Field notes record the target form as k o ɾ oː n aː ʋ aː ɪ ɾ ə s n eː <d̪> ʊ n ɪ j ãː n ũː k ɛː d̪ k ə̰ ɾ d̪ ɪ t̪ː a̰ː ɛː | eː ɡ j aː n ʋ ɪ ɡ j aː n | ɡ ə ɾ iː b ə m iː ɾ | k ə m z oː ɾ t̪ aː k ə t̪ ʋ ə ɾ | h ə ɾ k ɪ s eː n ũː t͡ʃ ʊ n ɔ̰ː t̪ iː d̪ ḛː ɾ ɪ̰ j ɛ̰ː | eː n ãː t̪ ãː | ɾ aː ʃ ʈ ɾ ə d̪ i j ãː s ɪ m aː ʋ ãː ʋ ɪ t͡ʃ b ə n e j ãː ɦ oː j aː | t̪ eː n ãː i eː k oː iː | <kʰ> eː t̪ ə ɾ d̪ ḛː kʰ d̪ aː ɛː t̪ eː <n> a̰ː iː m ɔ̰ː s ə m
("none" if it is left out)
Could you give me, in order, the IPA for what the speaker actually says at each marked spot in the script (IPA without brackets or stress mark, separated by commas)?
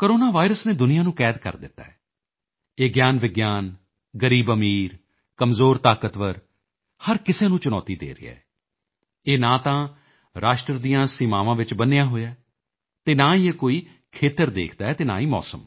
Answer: d̪, kʰ, n